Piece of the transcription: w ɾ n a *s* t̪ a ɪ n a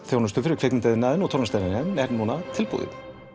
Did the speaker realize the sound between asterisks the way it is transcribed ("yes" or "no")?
yes